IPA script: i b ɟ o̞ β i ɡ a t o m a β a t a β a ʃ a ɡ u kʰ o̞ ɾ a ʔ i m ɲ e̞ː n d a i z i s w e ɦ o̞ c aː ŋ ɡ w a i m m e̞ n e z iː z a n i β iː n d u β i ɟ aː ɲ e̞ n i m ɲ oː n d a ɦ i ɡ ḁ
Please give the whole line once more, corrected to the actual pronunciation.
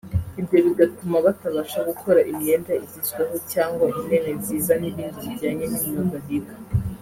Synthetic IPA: i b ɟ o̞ β i ɡ a t u m a β a t a β a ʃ a ɡ u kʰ o̞ ɾ a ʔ i m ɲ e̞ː n d a i z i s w e ɦ o̞ c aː ŋ ɡ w a i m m e̞ n e z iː z a n i β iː n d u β i ɟ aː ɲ e̞ n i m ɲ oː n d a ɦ i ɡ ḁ